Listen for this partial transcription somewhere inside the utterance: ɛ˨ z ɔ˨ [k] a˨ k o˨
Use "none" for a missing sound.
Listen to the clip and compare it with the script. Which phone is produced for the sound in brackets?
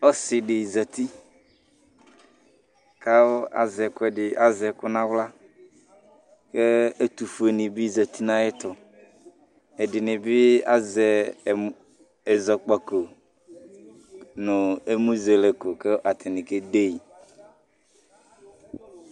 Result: k͡p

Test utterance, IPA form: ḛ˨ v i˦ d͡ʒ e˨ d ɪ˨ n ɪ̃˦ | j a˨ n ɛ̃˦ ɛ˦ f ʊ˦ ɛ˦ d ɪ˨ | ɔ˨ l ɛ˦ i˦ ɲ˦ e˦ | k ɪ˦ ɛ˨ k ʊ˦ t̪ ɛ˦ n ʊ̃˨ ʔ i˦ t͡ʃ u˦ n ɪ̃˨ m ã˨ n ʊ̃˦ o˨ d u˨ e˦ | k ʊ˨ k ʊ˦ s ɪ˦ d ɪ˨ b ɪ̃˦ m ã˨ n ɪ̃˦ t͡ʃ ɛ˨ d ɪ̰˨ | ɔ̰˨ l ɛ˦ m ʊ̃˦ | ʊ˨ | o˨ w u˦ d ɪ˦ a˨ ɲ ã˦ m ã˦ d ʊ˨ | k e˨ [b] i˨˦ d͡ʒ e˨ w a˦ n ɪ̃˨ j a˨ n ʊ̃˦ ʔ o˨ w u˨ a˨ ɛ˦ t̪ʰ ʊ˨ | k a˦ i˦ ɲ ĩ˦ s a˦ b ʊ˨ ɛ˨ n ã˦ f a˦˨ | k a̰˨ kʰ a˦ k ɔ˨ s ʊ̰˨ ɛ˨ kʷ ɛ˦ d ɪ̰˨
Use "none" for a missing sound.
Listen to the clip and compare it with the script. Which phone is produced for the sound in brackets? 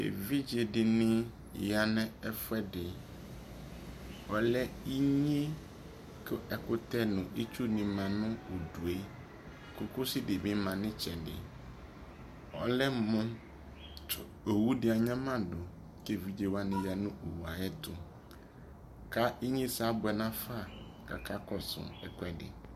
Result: v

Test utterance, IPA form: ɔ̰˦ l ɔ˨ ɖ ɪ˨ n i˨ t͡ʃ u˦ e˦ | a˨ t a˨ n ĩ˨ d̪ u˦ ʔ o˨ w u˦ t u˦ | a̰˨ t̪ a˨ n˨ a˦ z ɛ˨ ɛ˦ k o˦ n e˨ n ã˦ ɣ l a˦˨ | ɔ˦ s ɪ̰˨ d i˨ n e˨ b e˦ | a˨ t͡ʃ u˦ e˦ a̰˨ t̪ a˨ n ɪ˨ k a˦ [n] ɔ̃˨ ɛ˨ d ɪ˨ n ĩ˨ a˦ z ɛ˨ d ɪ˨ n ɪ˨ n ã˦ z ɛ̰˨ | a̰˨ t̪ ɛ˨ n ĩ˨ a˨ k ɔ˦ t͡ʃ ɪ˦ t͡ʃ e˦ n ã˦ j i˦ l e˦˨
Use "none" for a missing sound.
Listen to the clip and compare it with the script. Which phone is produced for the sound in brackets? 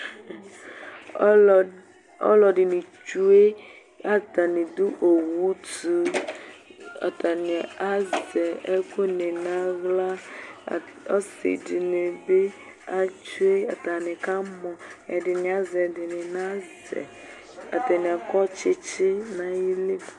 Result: m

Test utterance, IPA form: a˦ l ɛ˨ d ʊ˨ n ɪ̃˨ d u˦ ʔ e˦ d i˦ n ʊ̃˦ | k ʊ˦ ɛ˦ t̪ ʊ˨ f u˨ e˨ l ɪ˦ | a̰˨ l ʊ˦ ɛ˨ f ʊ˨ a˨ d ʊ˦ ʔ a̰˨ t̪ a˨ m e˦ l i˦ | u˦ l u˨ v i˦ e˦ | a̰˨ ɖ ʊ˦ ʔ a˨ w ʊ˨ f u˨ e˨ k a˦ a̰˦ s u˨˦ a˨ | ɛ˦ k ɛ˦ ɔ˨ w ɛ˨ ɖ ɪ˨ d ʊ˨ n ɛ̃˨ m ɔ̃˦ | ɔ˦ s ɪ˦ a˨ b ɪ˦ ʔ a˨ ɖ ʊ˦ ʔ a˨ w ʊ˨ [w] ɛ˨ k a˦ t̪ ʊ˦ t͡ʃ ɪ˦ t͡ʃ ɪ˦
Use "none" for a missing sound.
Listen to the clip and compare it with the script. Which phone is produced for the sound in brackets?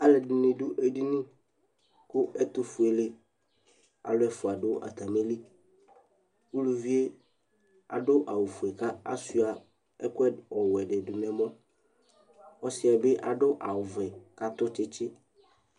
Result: v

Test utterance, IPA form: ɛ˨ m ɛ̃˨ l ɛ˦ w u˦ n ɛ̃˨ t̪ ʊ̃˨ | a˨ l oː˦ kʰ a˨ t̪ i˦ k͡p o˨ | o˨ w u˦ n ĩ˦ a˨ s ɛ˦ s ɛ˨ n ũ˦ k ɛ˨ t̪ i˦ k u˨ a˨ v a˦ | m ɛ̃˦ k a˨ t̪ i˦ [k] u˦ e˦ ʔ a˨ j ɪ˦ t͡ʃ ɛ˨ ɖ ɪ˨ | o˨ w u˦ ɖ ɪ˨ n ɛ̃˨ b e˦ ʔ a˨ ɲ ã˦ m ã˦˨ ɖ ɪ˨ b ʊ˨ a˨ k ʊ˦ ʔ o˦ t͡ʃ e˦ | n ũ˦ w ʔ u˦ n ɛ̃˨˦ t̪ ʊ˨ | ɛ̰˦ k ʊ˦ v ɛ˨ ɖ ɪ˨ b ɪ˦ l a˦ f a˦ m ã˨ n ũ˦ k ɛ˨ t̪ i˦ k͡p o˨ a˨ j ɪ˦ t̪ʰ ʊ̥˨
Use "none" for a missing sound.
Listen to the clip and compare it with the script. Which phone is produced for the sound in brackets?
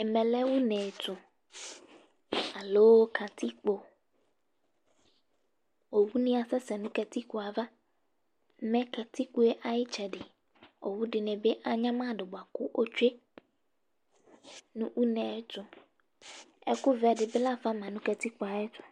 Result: k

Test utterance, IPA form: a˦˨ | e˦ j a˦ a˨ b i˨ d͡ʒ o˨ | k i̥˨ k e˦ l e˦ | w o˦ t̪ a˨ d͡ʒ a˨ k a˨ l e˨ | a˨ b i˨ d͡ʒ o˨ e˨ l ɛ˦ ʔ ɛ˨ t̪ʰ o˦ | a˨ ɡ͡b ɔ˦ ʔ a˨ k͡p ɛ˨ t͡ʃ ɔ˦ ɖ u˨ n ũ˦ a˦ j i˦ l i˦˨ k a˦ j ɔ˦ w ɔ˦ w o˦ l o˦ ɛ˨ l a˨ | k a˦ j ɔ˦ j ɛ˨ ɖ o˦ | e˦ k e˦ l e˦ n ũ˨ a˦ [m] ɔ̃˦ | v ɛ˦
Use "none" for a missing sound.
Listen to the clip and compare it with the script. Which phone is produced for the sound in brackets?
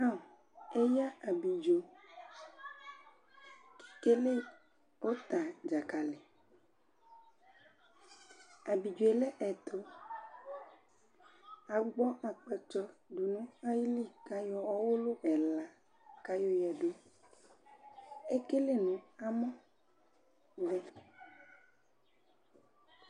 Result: m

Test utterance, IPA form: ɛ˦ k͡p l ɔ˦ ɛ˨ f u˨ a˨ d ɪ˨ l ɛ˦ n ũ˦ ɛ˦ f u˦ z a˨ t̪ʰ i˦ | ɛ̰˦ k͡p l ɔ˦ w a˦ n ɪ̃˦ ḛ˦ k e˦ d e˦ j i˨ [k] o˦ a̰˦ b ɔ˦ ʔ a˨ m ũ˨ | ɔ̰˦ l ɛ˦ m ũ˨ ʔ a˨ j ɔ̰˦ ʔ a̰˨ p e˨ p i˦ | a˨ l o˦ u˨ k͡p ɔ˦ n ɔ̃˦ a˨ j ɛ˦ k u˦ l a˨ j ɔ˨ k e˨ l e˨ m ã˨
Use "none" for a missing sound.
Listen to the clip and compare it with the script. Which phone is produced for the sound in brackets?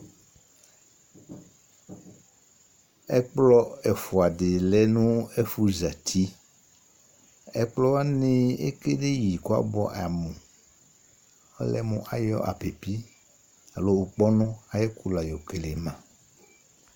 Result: k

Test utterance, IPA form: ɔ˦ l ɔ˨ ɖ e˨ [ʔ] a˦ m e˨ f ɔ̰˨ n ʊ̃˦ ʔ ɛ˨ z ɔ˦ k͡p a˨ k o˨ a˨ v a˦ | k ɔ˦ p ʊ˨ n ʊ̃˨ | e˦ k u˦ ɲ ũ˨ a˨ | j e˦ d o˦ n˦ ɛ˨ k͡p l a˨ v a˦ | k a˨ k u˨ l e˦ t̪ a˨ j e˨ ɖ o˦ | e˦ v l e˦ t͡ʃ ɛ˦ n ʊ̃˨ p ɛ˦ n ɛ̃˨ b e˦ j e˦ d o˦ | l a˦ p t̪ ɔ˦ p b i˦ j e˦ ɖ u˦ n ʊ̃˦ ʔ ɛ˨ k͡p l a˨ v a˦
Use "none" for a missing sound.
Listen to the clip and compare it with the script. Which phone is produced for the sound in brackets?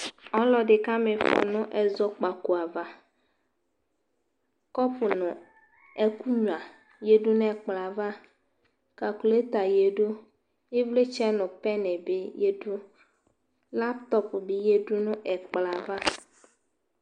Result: k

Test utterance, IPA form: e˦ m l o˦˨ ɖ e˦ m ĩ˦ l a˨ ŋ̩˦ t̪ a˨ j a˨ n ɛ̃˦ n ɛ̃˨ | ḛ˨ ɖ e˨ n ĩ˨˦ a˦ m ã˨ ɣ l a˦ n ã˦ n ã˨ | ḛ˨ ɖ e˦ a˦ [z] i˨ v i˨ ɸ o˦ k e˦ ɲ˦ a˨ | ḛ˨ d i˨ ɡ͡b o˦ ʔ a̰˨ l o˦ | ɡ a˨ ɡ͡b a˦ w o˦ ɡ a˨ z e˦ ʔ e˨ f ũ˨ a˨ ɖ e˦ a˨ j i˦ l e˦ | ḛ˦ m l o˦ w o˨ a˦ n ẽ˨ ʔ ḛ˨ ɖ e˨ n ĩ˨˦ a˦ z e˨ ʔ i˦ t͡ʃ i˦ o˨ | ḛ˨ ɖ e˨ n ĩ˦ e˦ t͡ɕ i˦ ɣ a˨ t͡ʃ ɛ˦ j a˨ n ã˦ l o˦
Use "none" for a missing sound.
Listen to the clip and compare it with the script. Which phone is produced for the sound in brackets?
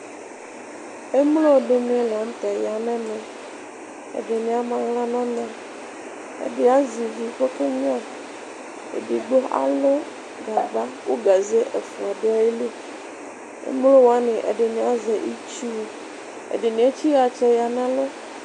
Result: z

